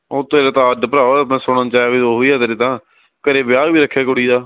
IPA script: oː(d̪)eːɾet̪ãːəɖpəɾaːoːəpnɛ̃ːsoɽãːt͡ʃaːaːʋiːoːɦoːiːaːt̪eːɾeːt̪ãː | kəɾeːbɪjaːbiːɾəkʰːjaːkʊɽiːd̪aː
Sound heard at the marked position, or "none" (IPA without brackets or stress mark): t̪